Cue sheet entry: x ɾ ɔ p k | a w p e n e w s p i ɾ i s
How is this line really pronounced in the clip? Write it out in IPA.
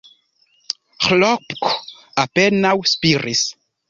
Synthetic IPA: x l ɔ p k | a p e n a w s p i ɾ i s